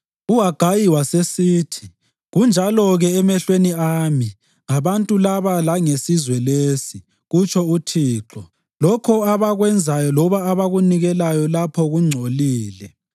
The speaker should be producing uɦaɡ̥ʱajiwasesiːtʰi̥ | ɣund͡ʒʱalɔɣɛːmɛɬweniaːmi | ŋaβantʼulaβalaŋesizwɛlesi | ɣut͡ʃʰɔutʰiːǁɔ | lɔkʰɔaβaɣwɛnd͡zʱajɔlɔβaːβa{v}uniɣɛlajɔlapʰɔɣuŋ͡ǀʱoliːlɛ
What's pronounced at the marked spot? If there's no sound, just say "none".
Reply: ɣ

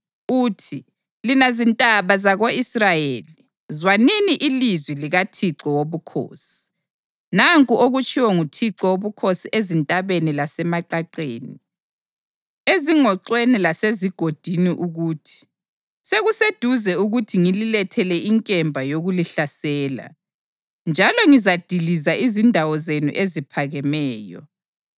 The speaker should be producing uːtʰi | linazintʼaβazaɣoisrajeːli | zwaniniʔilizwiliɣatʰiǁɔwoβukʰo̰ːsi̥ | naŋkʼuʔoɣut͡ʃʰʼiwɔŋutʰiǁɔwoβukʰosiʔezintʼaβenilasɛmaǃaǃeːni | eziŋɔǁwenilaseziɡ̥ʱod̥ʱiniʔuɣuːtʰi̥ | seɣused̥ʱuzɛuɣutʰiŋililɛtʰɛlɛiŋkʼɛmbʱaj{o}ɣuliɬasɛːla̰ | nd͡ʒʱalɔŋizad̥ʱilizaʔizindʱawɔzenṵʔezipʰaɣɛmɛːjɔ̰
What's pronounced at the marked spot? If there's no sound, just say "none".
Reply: o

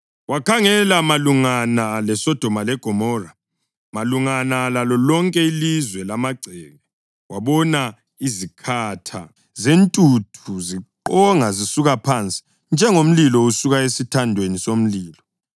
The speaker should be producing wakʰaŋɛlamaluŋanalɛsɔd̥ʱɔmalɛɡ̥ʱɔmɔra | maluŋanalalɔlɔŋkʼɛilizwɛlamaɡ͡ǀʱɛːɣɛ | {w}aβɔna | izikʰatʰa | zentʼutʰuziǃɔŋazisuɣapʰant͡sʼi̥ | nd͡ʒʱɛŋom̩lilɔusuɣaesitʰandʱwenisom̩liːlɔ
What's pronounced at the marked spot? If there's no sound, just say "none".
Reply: w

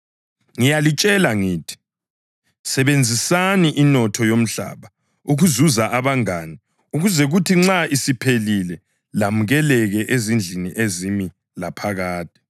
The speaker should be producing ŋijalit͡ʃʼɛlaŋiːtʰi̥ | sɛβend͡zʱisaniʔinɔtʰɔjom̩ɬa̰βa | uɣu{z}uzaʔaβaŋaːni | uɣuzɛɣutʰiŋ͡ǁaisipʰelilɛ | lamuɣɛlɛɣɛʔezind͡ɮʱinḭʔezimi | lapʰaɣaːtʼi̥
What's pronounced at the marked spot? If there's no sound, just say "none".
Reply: z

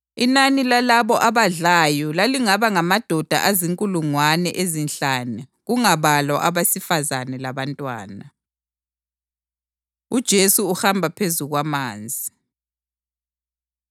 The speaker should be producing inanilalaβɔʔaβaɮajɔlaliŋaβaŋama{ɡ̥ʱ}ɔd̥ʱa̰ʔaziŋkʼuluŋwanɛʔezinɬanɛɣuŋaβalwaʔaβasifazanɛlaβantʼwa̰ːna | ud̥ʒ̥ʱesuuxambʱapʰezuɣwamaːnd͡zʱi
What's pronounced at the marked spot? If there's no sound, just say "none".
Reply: d̥ʱ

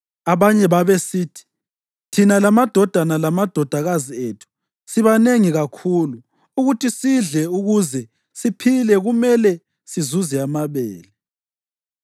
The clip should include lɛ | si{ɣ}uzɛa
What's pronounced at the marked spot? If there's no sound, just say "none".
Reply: z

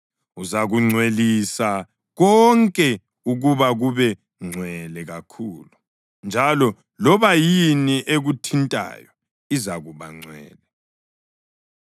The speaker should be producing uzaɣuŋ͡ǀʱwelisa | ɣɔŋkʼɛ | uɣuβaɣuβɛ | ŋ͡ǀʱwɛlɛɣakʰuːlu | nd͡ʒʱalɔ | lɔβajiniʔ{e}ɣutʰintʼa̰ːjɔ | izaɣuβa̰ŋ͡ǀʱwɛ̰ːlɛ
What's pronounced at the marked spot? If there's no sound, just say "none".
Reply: e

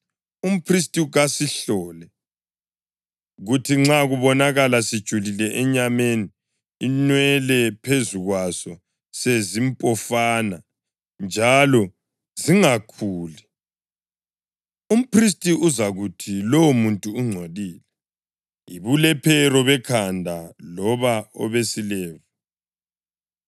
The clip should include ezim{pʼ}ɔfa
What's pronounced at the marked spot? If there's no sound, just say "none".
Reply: pʼ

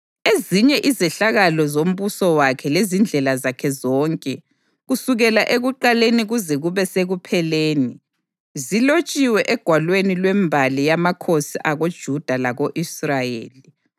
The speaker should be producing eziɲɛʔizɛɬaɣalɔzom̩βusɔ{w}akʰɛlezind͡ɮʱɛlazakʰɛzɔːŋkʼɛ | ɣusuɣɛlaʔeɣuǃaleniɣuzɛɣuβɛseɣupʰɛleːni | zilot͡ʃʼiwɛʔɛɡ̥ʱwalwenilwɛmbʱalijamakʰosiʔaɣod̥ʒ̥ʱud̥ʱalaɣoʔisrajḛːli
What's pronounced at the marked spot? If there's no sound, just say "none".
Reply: w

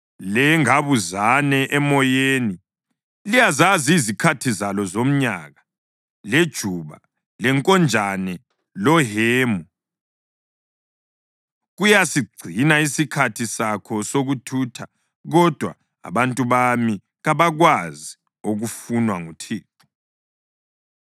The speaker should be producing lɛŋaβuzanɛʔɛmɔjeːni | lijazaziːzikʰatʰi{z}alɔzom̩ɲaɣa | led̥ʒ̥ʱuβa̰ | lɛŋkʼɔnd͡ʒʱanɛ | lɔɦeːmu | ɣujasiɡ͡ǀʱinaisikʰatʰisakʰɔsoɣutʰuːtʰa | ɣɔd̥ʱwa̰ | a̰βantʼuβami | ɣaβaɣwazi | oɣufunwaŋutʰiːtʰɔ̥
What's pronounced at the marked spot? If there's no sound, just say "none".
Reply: z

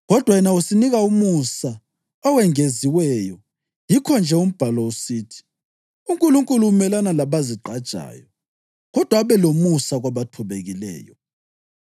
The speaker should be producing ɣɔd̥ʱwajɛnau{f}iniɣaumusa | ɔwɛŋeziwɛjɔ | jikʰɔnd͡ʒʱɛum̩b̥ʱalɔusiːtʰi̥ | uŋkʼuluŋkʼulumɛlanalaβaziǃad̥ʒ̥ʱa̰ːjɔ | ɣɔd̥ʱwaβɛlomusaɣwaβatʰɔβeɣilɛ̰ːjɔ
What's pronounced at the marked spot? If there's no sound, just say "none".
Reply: s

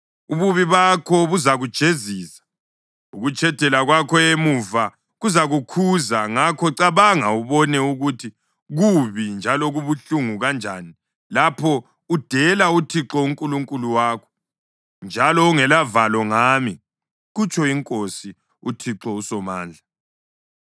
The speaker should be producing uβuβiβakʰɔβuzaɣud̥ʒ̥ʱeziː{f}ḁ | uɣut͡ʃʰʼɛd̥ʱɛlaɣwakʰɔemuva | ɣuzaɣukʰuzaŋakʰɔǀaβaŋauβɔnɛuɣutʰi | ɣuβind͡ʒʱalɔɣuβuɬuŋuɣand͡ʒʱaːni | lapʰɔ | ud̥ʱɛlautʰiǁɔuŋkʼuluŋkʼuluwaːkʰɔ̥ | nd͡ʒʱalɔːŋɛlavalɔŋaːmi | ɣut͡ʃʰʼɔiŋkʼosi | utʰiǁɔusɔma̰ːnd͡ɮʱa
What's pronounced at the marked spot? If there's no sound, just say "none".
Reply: s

